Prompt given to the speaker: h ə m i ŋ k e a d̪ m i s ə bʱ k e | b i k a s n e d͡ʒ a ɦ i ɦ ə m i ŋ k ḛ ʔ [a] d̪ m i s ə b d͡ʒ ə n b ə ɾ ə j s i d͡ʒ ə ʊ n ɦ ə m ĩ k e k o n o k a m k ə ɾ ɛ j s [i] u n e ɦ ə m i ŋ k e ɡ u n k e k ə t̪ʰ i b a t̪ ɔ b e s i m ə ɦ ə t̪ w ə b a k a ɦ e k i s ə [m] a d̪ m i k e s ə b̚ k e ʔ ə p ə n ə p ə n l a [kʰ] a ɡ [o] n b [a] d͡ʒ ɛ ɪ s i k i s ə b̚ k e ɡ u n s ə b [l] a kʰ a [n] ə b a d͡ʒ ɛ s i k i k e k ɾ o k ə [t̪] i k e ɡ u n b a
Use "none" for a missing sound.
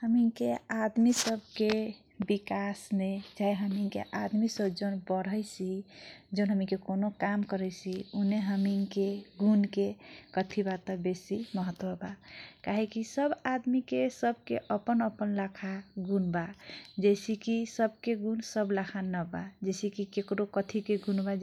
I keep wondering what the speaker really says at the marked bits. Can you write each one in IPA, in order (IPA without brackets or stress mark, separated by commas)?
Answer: a, i, b, kʰ, u, a, l, n, t̪ʰ